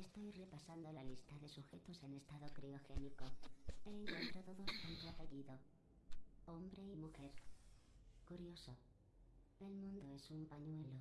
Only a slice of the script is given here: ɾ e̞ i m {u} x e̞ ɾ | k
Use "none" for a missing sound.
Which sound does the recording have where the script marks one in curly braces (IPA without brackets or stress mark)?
u